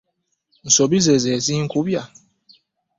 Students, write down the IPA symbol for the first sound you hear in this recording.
n̩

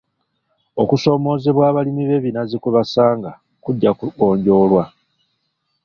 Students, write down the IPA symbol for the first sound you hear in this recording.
o̞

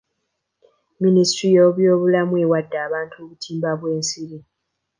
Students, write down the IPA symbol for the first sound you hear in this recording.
m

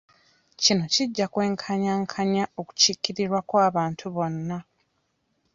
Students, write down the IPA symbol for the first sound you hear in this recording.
c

